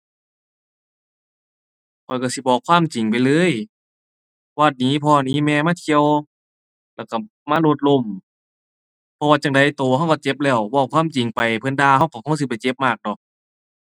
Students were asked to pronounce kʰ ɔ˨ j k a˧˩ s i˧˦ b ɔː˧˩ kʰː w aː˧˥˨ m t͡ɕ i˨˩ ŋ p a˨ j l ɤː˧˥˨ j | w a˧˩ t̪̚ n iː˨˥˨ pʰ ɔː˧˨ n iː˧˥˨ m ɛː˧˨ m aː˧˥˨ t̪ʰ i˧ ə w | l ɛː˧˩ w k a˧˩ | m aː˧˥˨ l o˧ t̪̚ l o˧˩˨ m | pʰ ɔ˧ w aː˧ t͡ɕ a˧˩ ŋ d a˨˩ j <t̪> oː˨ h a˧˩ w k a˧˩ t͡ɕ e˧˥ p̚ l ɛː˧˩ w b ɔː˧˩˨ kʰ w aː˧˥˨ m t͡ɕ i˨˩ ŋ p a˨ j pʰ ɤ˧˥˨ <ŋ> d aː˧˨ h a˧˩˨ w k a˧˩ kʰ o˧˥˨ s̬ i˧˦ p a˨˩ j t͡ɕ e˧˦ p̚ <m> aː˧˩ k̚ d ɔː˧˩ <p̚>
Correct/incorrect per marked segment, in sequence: correct, incorrect: n, correct, incorrect: k̚

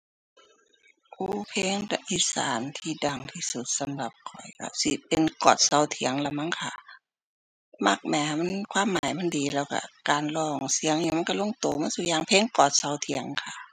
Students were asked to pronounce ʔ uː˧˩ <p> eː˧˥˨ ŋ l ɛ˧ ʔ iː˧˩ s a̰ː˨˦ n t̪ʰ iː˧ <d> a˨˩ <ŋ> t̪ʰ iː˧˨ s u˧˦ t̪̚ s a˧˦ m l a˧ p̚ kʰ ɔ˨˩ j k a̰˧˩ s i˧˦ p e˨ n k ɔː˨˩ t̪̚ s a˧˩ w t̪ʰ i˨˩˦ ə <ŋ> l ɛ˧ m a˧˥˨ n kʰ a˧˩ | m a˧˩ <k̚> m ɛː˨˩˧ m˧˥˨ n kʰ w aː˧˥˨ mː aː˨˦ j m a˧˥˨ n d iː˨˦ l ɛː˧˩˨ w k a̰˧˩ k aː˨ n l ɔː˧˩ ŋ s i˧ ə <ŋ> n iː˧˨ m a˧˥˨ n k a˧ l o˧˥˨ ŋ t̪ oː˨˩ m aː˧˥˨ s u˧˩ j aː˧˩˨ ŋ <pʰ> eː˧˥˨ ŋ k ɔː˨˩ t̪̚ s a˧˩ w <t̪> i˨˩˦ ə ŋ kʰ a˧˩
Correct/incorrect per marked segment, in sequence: incorrect: pʰ, correct, correct, correct, correct, correct, correct, incorrect: t̪ʰ

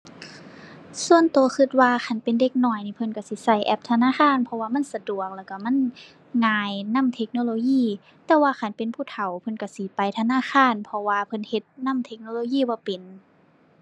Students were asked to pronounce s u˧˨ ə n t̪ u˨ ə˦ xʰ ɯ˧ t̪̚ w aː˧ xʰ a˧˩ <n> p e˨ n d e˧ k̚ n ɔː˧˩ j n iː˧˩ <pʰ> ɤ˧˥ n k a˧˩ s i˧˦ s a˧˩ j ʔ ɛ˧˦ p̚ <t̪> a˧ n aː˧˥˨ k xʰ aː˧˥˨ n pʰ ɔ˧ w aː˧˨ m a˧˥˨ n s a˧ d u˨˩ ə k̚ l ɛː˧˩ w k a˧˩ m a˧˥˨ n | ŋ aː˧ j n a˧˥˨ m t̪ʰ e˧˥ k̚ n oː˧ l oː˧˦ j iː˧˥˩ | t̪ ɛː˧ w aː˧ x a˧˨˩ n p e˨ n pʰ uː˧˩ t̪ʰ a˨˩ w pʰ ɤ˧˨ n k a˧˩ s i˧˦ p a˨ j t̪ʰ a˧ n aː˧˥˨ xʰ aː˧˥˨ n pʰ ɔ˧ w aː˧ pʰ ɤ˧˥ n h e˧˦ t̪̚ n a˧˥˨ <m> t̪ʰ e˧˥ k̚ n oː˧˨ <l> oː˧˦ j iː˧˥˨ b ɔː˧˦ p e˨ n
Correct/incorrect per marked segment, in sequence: correct, correct, incorrect: t̪ʰ, correct, correct

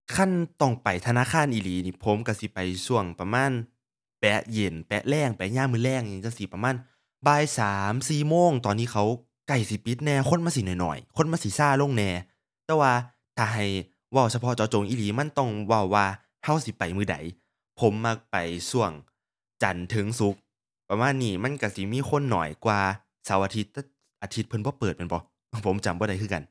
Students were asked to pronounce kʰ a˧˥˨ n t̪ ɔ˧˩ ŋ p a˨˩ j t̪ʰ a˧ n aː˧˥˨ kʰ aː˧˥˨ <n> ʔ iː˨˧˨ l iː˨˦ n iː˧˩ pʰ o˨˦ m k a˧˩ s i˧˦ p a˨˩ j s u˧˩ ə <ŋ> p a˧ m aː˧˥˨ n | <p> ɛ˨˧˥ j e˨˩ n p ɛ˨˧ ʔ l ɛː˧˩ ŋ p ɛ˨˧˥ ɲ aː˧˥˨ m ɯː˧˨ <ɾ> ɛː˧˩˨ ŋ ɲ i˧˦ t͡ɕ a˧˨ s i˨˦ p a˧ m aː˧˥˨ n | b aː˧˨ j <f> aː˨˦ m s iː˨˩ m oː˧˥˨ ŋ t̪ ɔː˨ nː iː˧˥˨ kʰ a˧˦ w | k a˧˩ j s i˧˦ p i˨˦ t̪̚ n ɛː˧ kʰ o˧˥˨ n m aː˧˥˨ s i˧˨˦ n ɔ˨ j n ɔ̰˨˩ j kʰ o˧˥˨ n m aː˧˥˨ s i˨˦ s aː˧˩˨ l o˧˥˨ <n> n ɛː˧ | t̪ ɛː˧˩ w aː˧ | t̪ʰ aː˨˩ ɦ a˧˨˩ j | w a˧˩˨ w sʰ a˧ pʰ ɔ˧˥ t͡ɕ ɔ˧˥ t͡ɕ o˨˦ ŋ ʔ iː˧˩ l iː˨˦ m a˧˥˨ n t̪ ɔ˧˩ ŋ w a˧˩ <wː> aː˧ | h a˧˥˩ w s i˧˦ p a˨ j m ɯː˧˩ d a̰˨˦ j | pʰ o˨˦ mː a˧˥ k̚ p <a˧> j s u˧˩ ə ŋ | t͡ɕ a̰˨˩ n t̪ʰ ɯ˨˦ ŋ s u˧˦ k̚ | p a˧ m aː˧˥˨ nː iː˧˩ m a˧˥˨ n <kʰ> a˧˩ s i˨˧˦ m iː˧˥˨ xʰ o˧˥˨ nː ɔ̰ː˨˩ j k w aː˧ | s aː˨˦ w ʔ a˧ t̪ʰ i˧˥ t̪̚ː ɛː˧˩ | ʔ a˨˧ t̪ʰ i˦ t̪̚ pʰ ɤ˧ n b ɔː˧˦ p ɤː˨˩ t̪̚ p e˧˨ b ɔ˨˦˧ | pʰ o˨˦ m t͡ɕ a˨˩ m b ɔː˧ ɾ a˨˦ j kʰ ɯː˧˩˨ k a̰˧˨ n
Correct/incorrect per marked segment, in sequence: correct, correct, correct, incorrect: l, incorrect: s, incorrect: ŋ, correct, incorrect: a˨˩, incorrect: k

